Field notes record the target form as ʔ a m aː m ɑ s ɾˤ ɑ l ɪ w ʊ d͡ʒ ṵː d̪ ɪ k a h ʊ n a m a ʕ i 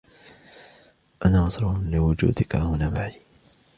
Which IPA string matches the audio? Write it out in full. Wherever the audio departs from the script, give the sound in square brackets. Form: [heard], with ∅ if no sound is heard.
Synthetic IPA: ʔ a [n] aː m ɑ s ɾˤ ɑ l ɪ w ʊ d͡ʒ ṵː d̪ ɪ k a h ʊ n a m a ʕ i